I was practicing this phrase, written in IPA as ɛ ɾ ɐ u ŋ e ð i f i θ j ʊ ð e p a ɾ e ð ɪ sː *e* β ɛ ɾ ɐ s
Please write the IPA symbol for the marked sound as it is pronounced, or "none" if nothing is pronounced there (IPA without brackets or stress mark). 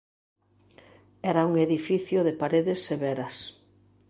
e